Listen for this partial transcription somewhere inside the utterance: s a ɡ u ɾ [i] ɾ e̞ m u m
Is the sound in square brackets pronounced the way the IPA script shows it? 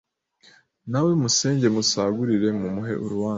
yes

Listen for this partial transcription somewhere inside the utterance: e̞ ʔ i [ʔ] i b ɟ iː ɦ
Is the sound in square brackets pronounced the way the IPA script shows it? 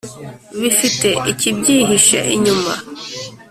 no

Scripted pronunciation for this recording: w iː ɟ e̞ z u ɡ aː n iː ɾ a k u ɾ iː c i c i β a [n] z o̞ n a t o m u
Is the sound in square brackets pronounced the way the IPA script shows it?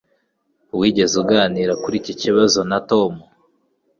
no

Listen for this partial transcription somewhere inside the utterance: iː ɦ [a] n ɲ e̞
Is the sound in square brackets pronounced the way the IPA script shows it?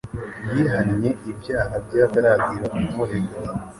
yes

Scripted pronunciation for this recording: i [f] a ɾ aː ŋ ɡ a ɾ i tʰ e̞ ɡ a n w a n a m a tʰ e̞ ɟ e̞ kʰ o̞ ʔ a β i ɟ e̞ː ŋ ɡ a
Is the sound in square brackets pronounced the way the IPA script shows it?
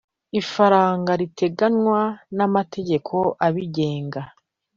yes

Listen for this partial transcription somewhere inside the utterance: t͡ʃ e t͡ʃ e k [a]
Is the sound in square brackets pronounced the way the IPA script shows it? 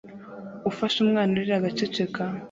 yes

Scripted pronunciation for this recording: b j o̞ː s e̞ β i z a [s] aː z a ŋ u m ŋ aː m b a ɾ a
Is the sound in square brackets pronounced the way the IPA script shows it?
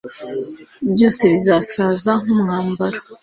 yes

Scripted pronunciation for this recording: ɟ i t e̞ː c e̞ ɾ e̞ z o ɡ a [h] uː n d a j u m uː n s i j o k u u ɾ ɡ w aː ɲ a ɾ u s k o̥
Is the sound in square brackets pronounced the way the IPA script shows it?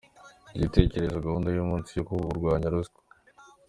yes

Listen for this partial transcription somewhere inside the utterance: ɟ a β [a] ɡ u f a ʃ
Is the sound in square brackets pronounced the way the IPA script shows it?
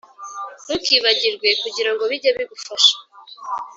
no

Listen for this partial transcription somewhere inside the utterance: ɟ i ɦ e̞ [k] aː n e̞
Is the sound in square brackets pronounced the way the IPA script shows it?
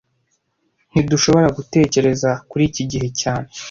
no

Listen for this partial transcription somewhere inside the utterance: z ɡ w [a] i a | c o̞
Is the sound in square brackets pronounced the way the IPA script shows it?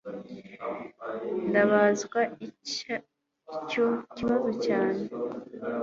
yes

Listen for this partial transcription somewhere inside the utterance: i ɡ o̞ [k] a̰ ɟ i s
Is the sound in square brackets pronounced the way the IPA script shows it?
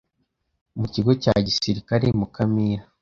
no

